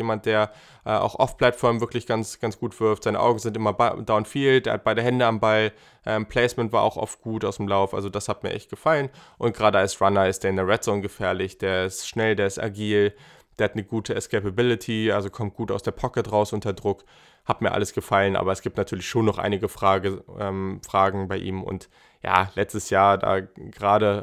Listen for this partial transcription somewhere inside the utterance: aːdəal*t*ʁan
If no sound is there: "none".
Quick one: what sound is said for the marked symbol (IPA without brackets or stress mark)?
s